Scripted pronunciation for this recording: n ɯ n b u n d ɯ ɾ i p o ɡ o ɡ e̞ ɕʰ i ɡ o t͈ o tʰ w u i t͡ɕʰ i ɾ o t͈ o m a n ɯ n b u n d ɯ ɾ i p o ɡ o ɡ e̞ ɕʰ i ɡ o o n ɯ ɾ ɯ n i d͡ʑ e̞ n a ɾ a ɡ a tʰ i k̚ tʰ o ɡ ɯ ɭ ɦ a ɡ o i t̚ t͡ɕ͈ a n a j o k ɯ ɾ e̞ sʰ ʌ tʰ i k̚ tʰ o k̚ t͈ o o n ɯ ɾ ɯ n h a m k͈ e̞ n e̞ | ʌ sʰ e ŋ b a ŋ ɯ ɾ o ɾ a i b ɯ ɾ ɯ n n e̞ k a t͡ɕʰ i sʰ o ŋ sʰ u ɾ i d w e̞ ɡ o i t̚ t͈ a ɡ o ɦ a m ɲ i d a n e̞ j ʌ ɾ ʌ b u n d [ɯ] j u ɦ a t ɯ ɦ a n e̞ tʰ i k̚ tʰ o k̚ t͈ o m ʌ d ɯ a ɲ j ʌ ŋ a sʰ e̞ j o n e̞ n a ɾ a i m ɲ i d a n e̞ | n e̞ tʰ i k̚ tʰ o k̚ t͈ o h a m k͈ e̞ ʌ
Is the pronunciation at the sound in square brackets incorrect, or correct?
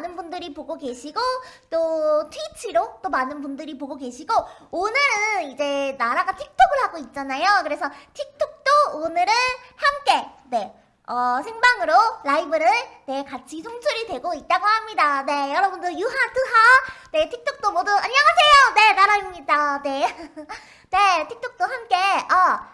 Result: correct